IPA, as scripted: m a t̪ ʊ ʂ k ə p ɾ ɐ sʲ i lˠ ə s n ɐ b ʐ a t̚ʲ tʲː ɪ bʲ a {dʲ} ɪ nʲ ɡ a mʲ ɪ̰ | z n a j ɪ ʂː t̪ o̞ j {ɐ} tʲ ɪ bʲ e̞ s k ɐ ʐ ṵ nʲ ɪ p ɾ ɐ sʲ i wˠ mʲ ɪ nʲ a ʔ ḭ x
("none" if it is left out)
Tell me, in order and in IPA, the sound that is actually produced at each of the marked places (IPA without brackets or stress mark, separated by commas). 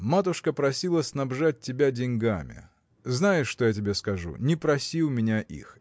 dʲ, a